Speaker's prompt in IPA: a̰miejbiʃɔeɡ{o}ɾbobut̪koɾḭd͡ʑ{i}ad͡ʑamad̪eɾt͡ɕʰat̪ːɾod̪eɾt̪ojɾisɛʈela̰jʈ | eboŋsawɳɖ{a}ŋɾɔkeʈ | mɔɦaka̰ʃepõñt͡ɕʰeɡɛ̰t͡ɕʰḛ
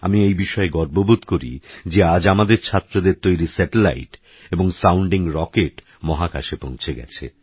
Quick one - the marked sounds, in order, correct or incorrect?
incorrect: ɔ, incorrect: e, incorrect: i

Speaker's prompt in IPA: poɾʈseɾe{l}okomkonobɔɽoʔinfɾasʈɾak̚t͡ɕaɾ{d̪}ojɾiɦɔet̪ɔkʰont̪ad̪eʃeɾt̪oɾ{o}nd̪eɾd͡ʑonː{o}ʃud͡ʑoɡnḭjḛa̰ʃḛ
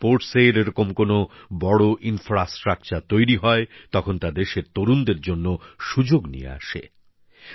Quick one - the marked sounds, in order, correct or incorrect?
incorrect: ɾ, incorrect: t̪, incorrect: u, correct

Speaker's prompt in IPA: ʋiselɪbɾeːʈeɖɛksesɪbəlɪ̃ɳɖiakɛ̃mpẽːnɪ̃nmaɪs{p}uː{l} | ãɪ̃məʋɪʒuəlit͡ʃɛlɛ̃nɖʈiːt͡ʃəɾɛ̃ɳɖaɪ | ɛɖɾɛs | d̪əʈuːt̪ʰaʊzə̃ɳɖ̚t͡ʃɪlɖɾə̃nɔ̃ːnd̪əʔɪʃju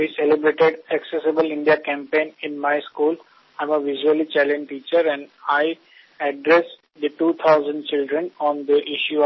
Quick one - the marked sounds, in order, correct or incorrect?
incorrect: k, correct

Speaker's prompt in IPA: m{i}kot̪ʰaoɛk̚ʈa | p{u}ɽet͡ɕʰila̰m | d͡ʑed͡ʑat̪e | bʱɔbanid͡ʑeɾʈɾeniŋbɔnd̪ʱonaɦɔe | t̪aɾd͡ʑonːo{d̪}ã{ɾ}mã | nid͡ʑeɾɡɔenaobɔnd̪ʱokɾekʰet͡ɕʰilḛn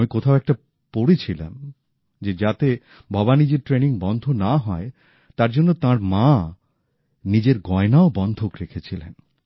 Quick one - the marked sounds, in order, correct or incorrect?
correct, incorrect: o, incorrect: t̪, correct

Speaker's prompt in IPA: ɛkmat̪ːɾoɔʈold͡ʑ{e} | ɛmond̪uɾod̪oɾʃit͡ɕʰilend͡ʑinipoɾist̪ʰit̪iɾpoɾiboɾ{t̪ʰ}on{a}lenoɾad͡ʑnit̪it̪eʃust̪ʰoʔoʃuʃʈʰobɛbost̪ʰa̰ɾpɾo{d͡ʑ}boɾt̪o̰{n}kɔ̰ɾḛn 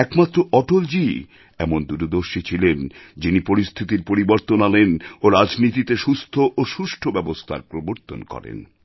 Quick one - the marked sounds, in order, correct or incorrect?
incorrect: i, incorrect: t̪, correct, incorrect: none, correct

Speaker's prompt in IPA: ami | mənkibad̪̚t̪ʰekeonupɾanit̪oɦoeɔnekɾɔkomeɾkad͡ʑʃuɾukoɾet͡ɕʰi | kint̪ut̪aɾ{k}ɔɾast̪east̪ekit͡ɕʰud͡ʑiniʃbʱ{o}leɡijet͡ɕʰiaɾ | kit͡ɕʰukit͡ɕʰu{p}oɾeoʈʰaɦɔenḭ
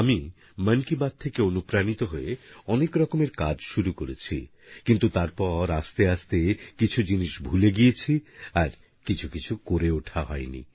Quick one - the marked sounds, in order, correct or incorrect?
incorrect: p, incorrect: u, incorrect: k

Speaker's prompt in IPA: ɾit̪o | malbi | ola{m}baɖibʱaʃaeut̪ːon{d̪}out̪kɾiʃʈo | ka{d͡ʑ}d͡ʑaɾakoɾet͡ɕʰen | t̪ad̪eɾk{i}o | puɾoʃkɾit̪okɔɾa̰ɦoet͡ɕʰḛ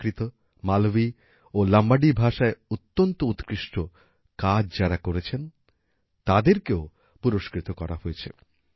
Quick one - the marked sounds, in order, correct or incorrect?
correct, incorrect: t̪, correct, incorrect: e

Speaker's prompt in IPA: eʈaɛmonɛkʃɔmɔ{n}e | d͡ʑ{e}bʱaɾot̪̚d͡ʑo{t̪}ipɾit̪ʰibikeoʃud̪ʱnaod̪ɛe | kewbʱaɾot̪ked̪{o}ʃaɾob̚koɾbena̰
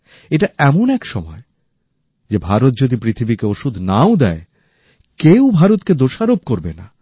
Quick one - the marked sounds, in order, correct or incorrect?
incorrect: none, correct, incorrect: d̪, correct

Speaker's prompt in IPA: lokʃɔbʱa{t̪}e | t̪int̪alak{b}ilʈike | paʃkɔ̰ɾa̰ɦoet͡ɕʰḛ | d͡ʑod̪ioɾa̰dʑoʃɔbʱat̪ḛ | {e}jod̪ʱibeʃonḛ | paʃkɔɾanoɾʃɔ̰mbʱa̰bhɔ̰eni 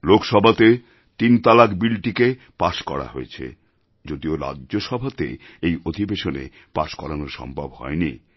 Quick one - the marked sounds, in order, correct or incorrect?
correct, correct, correct

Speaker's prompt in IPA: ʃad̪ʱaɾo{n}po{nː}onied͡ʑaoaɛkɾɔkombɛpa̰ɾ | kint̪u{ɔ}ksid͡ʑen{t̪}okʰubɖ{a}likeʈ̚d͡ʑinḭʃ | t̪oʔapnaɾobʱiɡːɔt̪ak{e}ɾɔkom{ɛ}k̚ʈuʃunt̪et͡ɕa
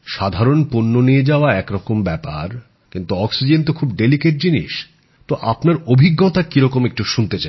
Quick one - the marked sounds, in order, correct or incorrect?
correct, correct, correct, correct, incorrect: e, incorrect: i, incorrect: e

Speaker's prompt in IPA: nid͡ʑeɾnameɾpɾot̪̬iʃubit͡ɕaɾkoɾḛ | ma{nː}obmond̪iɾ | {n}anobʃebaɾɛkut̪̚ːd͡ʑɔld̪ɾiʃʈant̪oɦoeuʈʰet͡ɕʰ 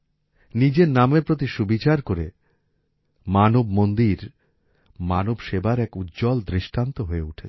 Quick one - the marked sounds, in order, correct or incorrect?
incorrect: n, incorrect: m

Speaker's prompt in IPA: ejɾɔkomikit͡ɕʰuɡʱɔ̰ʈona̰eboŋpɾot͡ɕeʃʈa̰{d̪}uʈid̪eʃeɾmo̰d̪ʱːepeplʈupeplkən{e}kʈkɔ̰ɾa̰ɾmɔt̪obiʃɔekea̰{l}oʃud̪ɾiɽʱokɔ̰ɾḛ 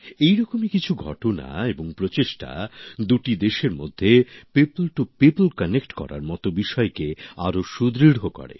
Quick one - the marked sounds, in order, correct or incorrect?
correct, correct, incorrect: ɾ

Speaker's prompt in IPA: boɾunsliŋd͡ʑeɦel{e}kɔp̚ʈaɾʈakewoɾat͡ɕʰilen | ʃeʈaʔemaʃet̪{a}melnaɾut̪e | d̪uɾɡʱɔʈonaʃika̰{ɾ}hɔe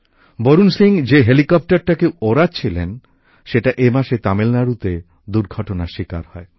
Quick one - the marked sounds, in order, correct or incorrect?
incorrect: i, correct, correct

